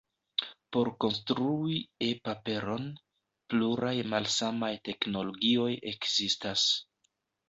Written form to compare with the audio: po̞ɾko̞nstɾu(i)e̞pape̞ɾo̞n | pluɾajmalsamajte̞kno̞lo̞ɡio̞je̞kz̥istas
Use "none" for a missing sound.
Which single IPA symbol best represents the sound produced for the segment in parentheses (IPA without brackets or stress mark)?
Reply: i